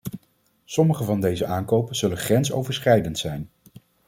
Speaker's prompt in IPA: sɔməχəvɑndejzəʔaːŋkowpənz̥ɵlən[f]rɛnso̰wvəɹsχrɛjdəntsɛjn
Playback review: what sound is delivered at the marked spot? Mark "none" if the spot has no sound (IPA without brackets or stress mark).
χ